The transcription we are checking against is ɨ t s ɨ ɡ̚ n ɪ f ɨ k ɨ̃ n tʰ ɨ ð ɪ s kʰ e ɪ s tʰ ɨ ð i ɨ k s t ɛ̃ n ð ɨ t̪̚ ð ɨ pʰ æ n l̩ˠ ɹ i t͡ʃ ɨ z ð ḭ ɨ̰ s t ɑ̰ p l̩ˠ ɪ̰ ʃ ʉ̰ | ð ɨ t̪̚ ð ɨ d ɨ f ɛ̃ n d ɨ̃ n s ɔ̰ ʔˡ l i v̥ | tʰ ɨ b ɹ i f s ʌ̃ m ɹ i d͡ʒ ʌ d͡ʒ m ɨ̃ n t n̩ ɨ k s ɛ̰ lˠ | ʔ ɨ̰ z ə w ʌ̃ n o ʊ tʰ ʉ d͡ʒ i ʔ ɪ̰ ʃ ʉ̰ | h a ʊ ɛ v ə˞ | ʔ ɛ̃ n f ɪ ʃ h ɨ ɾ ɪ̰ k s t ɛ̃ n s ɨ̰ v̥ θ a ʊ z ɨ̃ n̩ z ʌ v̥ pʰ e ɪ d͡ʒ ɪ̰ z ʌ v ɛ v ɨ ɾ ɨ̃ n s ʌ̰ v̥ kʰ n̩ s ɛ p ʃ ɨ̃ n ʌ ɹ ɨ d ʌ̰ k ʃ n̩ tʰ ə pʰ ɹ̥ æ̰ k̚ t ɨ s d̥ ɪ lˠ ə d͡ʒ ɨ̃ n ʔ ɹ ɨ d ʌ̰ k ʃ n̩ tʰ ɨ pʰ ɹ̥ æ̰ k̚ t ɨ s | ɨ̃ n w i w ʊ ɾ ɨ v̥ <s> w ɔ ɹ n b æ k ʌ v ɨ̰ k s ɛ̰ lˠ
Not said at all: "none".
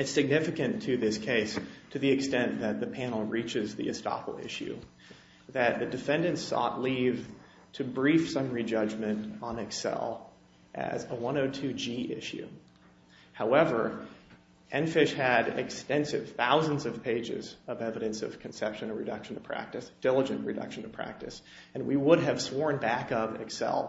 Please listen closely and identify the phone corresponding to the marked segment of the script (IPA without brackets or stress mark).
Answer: s